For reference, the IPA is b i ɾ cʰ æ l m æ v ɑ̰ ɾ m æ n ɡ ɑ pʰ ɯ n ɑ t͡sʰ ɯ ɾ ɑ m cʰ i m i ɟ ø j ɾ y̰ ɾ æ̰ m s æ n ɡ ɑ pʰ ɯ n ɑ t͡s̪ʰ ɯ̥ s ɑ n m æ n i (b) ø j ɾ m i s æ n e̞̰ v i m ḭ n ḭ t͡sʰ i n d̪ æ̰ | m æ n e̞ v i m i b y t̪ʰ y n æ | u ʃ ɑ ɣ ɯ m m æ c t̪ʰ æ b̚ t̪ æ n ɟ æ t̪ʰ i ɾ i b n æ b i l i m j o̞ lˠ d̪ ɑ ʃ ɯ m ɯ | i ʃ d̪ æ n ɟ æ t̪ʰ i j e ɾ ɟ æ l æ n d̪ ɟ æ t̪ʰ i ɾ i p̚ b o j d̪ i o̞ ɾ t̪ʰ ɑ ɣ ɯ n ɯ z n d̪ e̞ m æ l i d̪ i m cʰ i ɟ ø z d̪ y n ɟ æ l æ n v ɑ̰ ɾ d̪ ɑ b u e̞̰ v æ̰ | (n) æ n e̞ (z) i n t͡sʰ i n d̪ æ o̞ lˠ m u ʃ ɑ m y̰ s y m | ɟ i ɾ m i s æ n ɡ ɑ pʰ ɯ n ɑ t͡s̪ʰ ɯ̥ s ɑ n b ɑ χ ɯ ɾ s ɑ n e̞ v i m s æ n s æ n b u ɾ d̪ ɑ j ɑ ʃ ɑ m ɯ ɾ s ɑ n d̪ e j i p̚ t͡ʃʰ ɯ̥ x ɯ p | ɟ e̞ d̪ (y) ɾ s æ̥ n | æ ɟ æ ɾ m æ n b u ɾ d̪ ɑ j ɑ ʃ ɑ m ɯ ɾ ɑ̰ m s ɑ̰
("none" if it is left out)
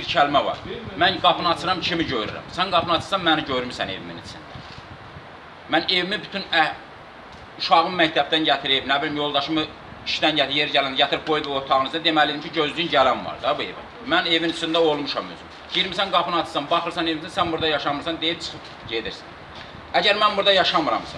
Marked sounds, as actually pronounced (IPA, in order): ɟ, m, v, i

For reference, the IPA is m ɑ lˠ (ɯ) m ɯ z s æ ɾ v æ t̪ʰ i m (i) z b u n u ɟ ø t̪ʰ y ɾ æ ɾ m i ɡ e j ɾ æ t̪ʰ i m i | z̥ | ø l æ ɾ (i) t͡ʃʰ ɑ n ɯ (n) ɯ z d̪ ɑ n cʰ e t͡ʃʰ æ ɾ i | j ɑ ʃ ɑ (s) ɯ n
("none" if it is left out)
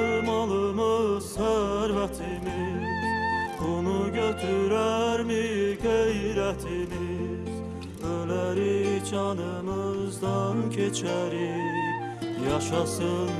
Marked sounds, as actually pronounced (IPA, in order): ɯ, i, i, m, s

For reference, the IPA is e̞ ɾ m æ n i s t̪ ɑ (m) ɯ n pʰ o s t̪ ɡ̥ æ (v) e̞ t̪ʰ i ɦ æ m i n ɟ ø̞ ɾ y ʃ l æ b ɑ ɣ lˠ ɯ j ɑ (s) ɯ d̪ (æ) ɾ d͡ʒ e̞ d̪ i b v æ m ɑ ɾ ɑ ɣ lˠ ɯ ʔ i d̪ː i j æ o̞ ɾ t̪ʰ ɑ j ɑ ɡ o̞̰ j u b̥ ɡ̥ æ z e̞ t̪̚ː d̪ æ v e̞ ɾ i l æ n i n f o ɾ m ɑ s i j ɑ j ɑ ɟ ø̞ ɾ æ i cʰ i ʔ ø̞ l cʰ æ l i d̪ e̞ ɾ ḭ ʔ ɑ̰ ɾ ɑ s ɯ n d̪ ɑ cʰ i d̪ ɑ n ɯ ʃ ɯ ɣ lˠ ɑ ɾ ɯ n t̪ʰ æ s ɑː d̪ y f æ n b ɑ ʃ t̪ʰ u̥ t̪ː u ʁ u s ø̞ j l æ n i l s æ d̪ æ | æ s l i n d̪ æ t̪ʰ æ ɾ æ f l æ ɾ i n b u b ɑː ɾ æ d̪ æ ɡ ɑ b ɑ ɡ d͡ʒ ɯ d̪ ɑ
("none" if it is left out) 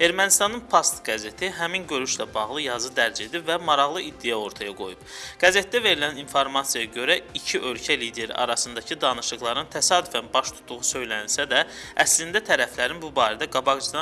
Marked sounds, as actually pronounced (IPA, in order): n, z, z, æ

